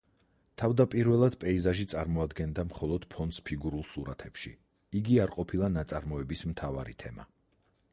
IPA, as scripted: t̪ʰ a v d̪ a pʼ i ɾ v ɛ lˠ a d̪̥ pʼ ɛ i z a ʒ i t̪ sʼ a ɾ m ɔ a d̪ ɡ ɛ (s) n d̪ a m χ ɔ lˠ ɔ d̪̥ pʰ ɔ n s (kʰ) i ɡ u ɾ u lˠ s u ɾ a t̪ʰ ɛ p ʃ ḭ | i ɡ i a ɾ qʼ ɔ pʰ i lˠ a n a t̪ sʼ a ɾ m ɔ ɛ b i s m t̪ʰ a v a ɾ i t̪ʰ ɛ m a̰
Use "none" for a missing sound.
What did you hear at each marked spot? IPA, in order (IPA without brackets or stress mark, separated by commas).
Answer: none, pʰ